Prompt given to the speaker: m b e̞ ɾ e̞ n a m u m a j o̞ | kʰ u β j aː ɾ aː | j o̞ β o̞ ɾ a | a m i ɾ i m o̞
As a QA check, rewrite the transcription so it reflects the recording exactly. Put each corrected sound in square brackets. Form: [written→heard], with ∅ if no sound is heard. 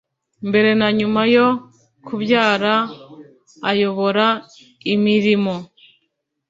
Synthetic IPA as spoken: m b e̞ ɾ e̞ n a [m→ɲ] u m a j o̞ | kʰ u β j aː ɾ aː | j o̞ β o̞ ɾ a | [a→i] m i ɾ i m o̞